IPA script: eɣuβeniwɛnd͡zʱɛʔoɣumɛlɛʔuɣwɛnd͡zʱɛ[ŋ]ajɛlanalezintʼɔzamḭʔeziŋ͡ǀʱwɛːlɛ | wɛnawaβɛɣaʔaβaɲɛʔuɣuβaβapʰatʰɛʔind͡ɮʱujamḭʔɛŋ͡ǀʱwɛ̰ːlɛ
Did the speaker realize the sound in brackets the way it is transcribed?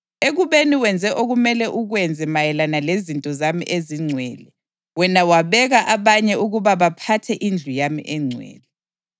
no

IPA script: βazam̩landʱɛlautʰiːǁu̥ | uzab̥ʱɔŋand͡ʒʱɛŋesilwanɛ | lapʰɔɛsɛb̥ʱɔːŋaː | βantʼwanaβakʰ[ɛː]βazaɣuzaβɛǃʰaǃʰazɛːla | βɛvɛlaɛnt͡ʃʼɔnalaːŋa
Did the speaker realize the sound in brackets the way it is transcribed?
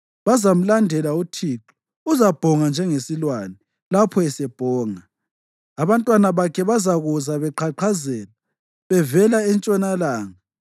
no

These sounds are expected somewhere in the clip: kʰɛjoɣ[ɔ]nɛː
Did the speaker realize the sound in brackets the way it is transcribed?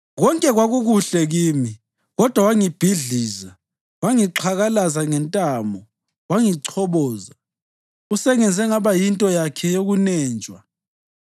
no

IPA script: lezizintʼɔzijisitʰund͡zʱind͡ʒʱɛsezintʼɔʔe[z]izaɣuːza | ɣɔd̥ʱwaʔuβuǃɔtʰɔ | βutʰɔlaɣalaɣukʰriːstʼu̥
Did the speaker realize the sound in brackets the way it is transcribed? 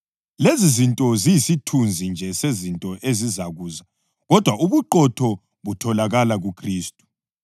yes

